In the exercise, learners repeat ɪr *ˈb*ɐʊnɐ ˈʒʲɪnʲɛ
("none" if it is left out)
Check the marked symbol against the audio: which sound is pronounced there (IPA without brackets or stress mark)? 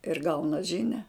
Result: ɡ